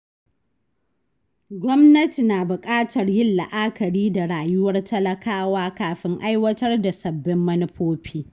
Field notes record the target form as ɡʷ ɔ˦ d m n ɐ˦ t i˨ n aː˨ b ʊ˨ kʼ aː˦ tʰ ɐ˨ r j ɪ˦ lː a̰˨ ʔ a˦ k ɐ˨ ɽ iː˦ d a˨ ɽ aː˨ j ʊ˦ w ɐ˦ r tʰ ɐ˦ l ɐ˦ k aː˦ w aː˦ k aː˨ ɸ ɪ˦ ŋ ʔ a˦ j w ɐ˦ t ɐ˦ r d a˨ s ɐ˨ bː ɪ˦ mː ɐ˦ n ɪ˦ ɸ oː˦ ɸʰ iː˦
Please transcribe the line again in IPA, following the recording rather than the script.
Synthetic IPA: ɡʷ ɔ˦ m n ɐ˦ t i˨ n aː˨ b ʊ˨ kʼ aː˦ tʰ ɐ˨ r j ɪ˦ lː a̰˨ ʔ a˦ k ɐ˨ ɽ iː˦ d a˨ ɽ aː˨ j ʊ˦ w ɐ˦ r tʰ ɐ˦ l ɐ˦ k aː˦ w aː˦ k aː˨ ɸ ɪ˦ ŋ ʔ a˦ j w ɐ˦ t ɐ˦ r d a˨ s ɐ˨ bː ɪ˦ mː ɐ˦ n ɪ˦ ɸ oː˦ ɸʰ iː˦